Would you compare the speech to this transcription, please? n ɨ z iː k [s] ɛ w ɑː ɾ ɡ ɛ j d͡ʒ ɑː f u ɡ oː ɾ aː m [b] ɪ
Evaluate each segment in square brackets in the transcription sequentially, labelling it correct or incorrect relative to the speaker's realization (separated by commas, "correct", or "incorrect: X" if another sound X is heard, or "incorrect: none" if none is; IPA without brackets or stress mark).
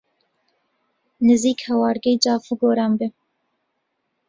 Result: incorrect: h, correct